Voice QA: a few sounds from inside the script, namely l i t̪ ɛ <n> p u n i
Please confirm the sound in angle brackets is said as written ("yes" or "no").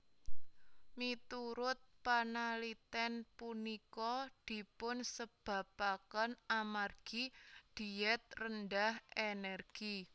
yes